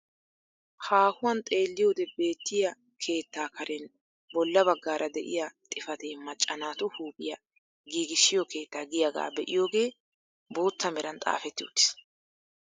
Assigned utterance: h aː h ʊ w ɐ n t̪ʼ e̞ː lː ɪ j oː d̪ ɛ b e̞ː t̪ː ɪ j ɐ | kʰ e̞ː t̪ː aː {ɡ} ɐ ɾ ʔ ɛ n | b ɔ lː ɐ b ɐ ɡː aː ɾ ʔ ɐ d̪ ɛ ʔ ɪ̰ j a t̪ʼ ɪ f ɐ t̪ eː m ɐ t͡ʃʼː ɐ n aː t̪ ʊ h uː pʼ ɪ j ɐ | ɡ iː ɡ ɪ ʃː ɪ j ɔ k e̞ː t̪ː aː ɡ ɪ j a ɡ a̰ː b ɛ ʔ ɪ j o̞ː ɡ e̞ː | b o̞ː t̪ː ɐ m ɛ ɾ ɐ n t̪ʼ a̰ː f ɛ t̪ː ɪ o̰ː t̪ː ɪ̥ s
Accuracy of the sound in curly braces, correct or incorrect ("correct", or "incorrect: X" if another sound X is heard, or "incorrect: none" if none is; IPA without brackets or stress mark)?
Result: incorrect: k